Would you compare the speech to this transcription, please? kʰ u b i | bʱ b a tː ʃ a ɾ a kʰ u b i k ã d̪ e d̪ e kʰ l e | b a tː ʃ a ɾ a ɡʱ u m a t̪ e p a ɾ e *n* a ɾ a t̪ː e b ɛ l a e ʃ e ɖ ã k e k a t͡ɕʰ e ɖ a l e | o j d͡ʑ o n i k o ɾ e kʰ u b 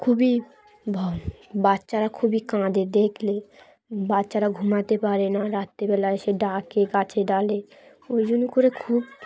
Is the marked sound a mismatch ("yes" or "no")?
no